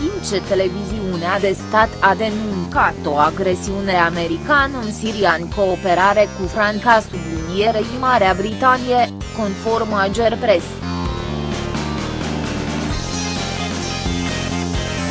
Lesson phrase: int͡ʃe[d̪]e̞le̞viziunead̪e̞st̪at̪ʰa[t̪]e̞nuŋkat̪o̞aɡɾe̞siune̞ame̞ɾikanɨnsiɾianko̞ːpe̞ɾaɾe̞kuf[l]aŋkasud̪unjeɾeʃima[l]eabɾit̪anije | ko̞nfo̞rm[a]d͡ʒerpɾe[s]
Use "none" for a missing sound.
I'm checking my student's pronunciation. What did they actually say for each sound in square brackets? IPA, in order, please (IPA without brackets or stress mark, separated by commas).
t̪, d̪, ɾ, ɾ, a, s